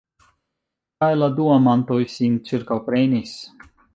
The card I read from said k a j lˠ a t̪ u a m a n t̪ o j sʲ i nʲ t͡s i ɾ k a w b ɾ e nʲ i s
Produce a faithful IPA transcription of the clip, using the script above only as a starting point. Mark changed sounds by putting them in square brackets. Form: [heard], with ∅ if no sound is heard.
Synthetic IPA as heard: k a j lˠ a [d̪] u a m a n t̪ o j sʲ i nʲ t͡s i ɾ k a w [p] ɾ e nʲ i s

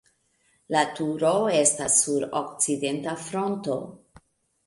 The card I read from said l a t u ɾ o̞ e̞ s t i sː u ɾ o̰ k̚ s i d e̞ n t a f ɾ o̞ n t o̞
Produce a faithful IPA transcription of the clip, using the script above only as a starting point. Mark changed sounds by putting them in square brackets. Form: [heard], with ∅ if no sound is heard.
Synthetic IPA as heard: l a t u ɾ o̞ e̞ s t [a] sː u ɾ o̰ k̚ [t͡s] i d e̞ n t a f ɾ o̞ n t o̞

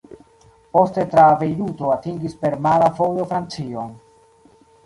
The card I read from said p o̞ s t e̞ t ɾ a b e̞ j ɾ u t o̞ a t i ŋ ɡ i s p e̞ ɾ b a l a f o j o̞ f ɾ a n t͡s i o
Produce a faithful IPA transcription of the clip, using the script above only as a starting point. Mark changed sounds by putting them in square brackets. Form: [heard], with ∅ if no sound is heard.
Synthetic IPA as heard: p o̞ s t e̞ t ɾ a [v] e̞ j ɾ u t o̞ a t i ŋ ɡ i s p e̞ ɾ [m] a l a f o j o̞ f ɾ a n t͡s i o

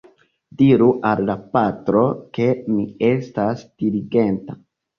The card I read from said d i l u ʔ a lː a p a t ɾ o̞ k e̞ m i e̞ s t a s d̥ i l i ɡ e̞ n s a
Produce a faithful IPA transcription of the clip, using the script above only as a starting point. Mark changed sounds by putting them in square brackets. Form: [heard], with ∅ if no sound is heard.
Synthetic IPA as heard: d i [ɾ] u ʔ a lː a p a t ɾ o̞ k e̞ m i e̞ s t a s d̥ i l i ɡ e̞ n [t] a

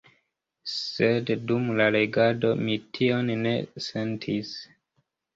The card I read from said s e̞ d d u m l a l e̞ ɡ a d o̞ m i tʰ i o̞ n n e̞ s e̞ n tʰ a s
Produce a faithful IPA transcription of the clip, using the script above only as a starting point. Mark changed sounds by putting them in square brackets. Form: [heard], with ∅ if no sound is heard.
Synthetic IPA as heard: s e̞ d d u m l a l e̞ ɡ a d o̞ m i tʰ i o̞ n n e̞ s e̞ n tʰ [i] s

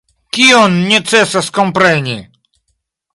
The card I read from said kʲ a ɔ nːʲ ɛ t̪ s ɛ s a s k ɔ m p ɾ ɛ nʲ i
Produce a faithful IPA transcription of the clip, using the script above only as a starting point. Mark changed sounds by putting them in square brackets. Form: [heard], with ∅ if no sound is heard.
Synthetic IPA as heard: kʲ [i] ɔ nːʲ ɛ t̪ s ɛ s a s k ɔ m p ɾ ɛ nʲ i

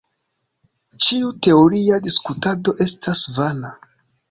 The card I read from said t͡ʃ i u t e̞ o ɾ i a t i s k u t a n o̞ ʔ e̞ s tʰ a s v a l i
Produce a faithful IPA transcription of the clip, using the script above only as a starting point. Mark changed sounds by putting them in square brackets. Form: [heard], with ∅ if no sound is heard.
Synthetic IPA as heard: t͡ʃ i u t e̞ o ɾ i a [d] i s k u t a [d] o̞ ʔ e̞ s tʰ a s v a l [a]

